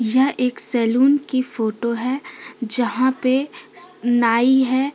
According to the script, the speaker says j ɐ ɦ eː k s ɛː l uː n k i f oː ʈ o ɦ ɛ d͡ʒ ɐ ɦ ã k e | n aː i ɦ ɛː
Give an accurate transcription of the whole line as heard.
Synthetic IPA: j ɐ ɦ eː k s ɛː l uː n k i f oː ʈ o ɦ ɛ d͡ʒ ɐ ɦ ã p e | n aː i ɦ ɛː